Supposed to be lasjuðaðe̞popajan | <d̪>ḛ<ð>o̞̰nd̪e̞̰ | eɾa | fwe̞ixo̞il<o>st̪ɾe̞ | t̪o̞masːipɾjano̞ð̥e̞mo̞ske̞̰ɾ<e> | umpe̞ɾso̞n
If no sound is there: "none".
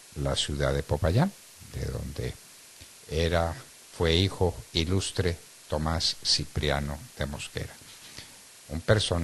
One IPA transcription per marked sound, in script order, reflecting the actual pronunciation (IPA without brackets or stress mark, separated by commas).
d̪, ð, u, a